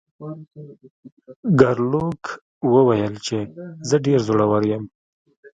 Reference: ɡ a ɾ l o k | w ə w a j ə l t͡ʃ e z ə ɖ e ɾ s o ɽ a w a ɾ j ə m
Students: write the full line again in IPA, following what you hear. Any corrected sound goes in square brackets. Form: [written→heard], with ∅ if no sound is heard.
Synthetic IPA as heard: ɡ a ɾ l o k | w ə w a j ə l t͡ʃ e z ə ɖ e ɾ [s→z] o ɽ a w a ɾ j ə m